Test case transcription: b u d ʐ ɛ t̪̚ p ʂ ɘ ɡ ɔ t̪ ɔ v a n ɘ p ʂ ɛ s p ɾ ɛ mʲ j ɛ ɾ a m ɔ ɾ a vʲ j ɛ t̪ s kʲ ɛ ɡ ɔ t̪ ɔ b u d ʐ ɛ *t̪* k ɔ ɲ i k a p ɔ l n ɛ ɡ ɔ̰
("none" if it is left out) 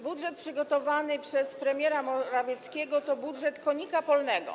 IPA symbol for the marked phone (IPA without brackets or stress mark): t̪